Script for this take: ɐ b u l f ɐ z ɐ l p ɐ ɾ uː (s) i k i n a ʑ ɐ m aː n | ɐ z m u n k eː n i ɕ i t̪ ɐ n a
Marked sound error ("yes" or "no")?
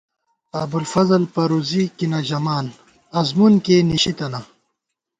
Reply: yes